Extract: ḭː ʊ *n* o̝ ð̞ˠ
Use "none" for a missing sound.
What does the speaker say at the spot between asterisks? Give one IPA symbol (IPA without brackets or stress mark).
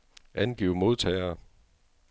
m